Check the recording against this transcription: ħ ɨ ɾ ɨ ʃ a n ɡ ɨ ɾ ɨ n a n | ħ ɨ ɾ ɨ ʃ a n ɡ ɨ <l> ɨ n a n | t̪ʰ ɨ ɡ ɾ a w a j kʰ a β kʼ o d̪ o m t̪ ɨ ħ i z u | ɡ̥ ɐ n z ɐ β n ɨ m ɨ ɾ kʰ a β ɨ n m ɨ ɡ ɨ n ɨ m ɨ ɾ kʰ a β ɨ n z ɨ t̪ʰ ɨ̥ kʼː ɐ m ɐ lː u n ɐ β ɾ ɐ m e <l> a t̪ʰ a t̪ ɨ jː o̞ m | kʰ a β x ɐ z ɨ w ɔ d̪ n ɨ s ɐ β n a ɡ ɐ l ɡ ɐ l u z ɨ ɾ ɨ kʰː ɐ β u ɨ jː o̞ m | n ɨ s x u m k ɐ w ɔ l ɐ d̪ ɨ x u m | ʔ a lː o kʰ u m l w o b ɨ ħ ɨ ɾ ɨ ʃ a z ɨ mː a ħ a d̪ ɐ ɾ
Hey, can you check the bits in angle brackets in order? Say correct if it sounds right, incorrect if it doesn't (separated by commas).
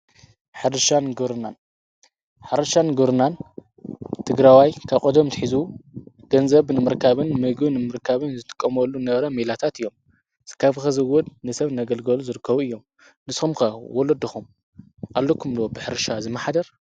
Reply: incorrect, correct